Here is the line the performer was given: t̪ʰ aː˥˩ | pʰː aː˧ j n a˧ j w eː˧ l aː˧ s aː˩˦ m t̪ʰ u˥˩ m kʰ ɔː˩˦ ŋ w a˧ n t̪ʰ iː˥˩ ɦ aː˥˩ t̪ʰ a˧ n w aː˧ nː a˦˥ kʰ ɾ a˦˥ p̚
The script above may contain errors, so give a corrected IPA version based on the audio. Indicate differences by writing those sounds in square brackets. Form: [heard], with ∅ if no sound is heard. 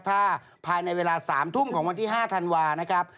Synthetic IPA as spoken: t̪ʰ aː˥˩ | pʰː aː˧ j n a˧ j w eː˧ l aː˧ s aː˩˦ m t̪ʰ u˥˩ m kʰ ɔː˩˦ ŋ w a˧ n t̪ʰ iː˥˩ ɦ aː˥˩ t̪ʰ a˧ n w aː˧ [n] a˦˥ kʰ ɾ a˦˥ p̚